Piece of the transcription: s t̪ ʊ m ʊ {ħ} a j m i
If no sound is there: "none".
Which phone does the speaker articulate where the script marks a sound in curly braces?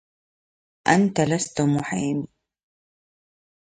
ħ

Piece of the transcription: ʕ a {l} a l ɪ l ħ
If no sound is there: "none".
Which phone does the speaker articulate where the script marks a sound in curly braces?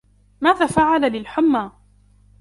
l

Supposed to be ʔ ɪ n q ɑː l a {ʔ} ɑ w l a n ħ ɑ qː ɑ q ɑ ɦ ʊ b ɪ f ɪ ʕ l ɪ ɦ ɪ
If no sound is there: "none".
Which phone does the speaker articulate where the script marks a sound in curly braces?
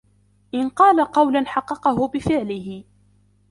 q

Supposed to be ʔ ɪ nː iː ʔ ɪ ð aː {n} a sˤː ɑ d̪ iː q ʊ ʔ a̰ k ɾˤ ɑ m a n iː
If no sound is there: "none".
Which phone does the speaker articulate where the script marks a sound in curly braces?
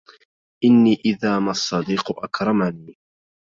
m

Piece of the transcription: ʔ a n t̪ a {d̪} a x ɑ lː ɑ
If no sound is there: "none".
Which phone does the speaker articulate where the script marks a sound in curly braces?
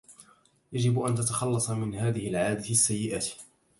t̪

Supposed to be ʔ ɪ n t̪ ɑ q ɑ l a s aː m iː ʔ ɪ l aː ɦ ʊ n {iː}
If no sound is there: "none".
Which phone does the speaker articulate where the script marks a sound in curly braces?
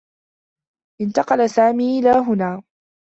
aː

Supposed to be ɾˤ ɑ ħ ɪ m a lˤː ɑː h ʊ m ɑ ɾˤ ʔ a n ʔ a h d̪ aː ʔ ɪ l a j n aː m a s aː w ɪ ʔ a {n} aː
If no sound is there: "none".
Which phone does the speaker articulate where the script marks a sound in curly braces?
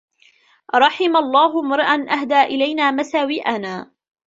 n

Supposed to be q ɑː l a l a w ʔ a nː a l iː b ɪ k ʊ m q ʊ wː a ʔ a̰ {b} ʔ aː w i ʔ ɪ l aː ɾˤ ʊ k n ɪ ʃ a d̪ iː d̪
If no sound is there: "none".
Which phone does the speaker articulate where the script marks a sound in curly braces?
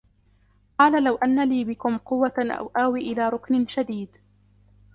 w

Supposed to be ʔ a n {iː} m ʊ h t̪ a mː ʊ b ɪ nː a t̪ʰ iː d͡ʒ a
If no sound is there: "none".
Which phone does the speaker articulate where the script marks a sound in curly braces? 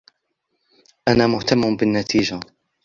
aː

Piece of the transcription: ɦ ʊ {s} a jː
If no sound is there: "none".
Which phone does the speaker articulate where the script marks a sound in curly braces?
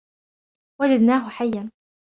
ħ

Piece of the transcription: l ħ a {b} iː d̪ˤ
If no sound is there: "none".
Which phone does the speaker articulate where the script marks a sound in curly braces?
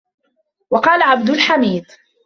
m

